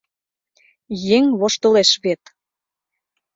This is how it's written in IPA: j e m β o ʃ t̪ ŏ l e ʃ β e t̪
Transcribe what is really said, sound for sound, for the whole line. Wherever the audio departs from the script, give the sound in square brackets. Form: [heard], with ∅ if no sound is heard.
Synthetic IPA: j e [ŋ] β o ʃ t̪ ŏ l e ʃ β e t̪